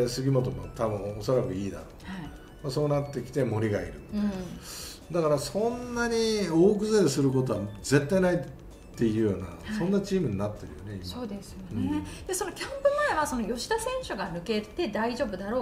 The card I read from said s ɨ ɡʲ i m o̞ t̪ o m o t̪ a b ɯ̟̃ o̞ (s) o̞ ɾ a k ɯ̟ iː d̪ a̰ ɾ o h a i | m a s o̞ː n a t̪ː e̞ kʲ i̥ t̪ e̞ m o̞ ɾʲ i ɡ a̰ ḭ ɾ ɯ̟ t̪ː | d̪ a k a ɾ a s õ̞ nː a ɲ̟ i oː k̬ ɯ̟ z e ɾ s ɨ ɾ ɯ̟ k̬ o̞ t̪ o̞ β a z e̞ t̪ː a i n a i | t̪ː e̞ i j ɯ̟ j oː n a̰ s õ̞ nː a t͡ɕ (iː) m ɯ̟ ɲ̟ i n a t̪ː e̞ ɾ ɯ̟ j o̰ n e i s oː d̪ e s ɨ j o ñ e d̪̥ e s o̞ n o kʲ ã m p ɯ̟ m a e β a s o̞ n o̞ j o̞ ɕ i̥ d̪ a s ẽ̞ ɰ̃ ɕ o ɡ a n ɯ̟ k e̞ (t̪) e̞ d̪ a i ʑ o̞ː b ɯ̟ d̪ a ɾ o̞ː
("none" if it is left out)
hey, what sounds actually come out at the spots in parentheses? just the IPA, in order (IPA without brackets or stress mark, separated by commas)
s, iː, t̪